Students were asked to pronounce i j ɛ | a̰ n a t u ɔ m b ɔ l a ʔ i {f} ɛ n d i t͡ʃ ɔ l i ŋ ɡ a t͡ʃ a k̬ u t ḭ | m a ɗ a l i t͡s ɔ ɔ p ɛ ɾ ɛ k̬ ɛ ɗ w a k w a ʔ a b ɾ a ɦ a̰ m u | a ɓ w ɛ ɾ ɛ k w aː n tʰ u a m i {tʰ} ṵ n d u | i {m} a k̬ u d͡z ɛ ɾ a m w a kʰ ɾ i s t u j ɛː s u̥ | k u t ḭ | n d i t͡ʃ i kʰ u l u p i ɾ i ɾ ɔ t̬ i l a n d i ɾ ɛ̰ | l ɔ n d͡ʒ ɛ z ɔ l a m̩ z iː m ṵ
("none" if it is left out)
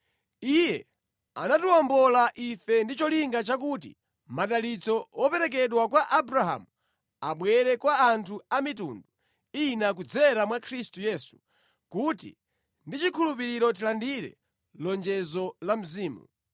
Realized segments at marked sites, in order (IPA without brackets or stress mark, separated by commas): f, t, n